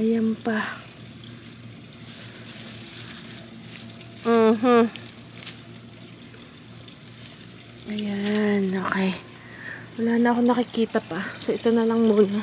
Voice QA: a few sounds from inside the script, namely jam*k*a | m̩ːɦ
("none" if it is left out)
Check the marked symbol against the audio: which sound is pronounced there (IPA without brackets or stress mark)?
p